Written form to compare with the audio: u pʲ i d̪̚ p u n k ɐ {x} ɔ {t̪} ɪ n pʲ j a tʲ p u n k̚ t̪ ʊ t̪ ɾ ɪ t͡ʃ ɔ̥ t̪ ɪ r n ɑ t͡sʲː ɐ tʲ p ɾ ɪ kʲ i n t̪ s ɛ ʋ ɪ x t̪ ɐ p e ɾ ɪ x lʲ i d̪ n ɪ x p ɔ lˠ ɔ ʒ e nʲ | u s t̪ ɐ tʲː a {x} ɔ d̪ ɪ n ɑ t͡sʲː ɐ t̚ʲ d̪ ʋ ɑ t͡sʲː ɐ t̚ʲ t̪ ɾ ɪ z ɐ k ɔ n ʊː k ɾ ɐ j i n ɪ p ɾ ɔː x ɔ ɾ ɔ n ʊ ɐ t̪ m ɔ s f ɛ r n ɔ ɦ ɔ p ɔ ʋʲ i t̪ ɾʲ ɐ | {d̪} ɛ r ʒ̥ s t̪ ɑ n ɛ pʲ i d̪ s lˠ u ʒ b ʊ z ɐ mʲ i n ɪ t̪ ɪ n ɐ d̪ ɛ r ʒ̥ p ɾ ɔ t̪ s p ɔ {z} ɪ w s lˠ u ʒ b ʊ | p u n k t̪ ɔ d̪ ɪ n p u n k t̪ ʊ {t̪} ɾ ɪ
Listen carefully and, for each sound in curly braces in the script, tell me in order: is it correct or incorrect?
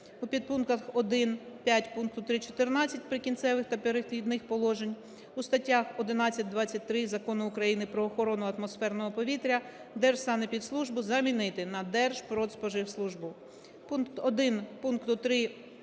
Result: correct, incorrect: d̪, correct, correct, incorrect: ʒ, correct

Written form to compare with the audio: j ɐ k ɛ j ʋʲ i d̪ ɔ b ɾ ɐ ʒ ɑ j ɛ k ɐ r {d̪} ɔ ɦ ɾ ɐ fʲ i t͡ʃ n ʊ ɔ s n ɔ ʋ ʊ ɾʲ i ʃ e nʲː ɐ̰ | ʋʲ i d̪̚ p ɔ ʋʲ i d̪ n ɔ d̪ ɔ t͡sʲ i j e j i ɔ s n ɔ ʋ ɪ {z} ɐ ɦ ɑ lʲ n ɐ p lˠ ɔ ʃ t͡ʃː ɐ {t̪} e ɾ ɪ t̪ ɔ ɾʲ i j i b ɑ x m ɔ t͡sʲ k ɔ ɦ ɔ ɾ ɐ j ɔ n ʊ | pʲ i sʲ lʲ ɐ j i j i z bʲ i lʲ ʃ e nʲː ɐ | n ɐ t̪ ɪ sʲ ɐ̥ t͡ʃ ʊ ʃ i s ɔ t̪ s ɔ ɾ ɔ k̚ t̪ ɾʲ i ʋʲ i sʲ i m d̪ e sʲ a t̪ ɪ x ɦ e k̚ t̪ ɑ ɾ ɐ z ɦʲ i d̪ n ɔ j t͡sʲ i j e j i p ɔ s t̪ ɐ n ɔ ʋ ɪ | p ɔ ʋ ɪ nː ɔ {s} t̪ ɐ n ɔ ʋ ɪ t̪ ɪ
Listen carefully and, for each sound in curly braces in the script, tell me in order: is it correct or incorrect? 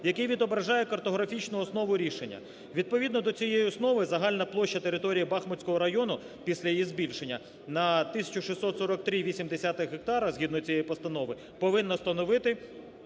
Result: incorrect: t̪, correct, correct, correct

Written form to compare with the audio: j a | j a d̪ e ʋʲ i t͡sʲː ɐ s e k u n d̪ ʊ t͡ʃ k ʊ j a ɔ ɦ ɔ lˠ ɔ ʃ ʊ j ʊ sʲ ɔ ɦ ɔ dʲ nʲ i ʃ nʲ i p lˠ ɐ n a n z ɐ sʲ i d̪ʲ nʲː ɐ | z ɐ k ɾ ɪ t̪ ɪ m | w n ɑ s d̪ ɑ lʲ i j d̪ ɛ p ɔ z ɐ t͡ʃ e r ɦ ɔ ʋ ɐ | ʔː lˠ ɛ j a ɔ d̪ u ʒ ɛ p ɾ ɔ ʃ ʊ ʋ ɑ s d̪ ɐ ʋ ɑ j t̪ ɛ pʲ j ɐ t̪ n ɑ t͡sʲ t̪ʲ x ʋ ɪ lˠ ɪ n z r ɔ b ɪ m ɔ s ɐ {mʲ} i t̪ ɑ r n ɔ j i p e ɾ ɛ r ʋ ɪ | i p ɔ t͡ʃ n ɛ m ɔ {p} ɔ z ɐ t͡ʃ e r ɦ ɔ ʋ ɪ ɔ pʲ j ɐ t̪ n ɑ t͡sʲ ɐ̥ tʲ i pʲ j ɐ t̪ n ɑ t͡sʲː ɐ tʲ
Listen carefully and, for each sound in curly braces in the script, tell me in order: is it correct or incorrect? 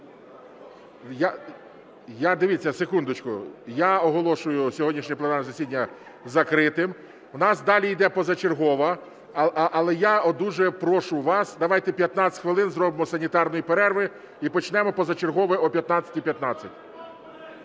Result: incorrect: nʲ, correct

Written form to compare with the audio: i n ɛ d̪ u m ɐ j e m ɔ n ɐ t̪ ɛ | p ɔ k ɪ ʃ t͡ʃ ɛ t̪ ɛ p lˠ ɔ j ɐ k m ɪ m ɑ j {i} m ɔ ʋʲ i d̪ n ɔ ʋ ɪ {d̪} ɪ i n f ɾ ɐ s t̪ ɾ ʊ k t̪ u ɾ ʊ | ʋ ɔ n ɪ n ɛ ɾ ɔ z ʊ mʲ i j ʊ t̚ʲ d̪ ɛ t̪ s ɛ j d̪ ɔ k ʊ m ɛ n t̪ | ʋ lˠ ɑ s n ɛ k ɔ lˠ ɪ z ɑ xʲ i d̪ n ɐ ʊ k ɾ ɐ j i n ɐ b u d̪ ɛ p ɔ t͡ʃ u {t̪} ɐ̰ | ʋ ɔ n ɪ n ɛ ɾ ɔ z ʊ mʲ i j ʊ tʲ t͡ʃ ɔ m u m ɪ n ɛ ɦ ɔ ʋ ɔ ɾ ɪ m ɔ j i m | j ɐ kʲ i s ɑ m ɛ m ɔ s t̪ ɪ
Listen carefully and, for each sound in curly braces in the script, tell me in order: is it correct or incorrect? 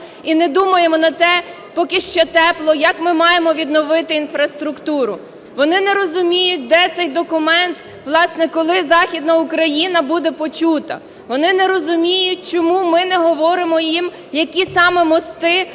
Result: incorrect: e, incorrect: t̪, correct

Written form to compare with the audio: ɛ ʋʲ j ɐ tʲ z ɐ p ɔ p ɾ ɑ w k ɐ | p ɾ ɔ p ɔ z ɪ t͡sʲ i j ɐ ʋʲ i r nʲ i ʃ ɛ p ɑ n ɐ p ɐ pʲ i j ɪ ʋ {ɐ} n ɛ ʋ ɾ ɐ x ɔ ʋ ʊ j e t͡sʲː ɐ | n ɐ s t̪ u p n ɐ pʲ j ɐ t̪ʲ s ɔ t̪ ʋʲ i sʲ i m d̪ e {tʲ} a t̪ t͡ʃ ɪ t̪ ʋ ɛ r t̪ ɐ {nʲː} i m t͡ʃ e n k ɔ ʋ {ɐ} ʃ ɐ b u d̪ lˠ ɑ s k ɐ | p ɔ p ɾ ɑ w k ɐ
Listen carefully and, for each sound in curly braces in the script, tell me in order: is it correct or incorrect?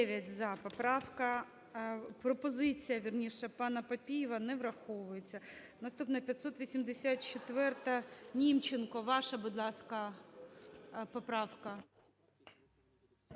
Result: correct, incorrect: sʲ, incorrect: nʲ, incorrect: ɑ

